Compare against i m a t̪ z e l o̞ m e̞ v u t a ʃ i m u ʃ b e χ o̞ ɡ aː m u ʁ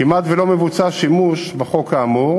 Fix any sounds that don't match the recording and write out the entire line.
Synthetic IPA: i m a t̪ v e l o̞ m e̞ v u t͡s a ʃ i m u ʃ b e χ o̞ k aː m u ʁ